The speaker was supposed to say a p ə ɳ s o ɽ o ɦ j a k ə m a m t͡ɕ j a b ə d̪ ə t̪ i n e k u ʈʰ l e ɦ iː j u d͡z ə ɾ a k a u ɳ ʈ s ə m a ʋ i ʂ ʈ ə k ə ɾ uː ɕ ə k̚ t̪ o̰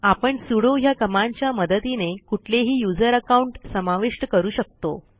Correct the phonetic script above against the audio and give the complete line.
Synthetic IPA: a p ə ɳ s u ɽ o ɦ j a k ə m a ɲ t͡ɕ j a m ə d̪ ə t̪ i n e k u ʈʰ l e ɦ iː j u d͡z ə ɾ ə k a u ɳ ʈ s ə m a ʋ i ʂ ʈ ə k ə ɾ uː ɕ ə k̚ t̪ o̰